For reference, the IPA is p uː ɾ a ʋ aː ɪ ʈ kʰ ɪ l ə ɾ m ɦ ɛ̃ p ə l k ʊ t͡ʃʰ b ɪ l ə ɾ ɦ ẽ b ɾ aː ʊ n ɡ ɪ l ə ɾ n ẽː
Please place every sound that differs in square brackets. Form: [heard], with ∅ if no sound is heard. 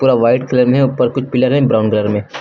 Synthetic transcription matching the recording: p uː ɾ a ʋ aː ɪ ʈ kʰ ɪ l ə ɾ m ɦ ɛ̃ p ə [ɾ] k ʊ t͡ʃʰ [p] ɪ l ə ɾ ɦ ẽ b ɾ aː ʊ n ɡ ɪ l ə ɾ [m] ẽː